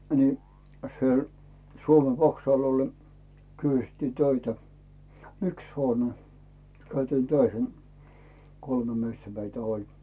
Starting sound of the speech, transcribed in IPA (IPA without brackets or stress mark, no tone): n